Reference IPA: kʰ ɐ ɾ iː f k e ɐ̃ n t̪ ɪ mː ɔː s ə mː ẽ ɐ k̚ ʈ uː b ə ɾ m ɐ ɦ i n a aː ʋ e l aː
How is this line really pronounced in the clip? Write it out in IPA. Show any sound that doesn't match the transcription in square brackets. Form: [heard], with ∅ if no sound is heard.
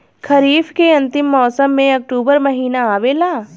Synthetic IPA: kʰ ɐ ɾ iː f k e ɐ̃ n t̪ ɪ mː ɔː s ə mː ẽ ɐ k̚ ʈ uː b ə ɾ m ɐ ɦ [iː] n a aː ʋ e l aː